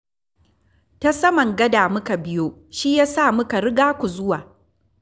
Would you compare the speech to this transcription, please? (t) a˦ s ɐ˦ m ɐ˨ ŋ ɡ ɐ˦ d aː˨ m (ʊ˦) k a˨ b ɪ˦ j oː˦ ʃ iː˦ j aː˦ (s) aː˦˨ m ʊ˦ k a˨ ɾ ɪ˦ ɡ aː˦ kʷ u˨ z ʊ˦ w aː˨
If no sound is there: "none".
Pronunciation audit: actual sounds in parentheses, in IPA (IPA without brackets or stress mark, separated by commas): t, ʊ˦, s